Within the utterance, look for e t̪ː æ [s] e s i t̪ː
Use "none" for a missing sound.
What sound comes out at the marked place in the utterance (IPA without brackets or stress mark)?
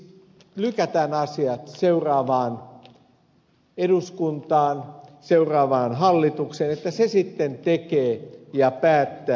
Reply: s